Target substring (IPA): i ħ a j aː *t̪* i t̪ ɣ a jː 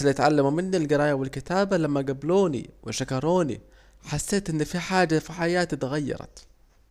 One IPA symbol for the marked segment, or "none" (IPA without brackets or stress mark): t̪